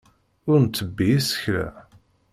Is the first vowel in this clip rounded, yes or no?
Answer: yes